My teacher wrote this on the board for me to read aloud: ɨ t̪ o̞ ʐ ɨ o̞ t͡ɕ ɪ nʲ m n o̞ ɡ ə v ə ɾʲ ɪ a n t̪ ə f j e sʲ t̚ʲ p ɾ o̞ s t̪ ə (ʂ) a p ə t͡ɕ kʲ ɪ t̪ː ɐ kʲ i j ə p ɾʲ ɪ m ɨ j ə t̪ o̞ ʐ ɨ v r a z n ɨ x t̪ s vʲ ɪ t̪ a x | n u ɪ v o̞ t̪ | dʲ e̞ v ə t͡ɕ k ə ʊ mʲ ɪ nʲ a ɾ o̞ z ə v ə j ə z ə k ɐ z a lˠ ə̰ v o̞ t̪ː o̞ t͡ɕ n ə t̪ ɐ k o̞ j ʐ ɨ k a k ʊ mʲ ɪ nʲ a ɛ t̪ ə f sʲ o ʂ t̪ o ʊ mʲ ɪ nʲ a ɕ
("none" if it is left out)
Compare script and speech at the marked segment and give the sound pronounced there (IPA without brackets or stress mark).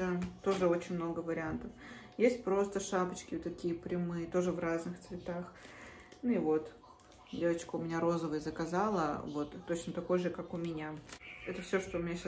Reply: ʂ